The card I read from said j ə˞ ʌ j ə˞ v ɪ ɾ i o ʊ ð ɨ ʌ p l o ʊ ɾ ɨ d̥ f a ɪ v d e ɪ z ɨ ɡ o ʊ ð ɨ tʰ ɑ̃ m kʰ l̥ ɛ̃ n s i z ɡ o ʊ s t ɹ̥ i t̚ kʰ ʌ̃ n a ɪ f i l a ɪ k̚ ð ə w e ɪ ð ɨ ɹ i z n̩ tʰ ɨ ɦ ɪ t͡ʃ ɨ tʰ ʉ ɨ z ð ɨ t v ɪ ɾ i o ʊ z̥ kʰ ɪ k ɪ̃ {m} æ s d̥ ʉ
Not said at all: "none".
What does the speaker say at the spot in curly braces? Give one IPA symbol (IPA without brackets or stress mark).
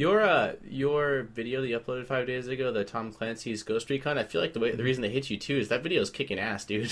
ŋ